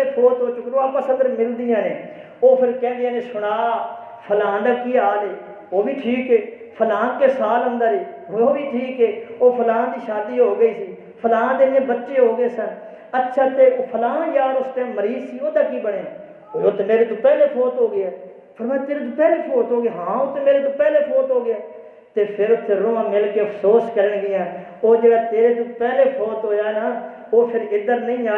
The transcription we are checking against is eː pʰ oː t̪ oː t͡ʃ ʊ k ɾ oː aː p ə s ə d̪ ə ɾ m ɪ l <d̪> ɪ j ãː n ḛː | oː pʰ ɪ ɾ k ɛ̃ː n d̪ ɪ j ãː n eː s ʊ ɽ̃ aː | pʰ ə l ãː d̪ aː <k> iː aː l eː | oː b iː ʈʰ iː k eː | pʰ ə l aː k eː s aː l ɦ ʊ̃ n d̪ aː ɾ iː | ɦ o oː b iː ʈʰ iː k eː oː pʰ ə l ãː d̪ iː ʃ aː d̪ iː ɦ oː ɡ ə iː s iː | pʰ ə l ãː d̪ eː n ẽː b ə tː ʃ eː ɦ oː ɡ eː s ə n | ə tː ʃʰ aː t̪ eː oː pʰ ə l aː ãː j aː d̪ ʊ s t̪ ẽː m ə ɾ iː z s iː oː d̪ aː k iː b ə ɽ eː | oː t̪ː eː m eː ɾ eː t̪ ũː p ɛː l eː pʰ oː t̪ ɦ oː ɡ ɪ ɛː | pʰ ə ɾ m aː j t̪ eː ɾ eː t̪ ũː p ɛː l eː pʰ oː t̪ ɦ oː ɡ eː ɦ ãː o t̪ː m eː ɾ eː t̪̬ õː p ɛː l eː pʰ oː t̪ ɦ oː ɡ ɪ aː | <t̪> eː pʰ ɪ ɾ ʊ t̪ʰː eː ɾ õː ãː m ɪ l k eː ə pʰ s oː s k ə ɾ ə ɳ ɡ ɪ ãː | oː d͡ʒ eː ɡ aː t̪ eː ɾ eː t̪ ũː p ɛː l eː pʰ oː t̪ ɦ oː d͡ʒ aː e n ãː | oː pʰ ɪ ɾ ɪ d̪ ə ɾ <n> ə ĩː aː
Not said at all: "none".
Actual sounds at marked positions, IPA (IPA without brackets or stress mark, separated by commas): d̪, k, t̪, n